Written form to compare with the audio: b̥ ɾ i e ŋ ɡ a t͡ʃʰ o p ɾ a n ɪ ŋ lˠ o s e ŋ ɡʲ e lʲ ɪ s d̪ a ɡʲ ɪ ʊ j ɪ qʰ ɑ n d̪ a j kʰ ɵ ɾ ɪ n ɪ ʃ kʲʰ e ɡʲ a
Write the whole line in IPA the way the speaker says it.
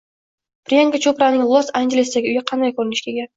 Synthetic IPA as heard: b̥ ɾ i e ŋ ɡ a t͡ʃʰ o p ɾ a n ɪ ŋ lˠ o s a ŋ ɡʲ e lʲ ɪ s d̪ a ɡʲ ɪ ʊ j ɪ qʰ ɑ n d̪ a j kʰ ɵ ɾ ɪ n ɪ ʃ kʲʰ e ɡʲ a